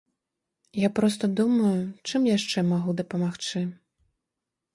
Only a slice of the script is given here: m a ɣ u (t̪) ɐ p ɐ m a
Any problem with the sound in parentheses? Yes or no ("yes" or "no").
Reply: yes